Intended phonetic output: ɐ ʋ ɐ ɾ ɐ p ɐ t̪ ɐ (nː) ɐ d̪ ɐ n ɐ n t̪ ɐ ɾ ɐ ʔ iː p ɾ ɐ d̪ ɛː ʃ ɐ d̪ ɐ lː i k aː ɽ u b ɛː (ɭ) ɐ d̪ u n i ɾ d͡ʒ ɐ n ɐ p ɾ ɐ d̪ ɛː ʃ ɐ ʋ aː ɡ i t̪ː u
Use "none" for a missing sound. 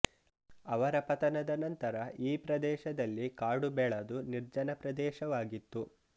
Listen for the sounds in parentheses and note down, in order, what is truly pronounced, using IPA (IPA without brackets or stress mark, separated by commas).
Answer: n, ɭ